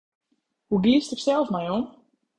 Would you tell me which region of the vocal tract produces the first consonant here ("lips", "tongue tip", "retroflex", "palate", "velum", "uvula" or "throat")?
throat